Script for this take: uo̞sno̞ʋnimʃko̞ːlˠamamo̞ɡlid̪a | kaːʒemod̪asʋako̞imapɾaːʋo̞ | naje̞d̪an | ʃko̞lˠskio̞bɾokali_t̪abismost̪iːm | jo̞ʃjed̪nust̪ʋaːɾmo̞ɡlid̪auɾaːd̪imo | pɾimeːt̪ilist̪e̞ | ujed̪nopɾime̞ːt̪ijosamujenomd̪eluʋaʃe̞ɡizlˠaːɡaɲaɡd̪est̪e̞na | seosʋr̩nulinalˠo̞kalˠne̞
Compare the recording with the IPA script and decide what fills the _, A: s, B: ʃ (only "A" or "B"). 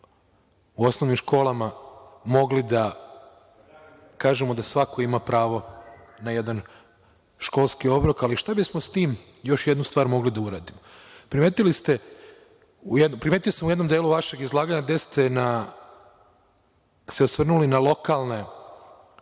B